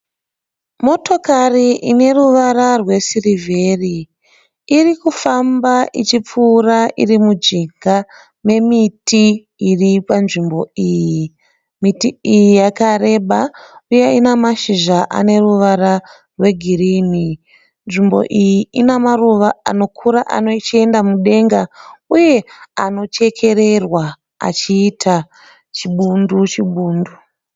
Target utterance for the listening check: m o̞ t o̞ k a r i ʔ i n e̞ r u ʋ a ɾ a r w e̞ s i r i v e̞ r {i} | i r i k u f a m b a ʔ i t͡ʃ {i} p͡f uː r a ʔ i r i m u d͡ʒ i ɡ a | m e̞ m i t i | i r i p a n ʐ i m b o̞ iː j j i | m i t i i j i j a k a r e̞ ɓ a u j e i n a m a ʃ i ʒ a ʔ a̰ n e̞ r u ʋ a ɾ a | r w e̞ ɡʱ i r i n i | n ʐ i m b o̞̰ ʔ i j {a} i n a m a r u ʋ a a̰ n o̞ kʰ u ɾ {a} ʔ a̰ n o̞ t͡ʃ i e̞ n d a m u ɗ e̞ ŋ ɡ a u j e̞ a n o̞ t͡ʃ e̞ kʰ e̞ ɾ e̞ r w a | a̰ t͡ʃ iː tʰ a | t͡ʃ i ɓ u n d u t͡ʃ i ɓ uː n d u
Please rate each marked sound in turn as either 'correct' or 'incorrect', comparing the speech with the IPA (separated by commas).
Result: correct, correct, incorrect, correct